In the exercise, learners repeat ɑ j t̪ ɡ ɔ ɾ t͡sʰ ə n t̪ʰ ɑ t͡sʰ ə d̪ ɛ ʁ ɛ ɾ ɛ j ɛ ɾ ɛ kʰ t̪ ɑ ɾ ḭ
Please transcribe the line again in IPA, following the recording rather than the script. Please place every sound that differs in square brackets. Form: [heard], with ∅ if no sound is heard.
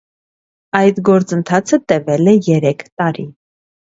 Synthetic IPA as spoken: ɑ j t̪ ɡ ɔ ɾ [t͡s] ə n t̪ʰ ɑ t͡sʰ ə [t̪] ɛ [v] ɛ [l] ɛ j ɛ ɾ ɛ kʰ t̪ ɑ ɾ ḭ